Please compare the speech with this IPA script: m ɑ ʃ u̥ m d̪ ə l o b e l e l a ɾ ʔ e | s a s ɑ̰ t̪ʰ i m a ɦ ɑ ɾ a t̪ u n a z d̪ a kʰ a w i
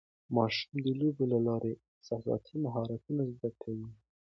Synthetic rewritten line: m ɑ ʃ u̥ m d̪ ə l o b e l a l ɑ ɾ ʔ e | s a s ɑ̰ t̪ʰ i m a ɦ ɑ ɾ a t̪ u n a z d̪ a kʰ a w i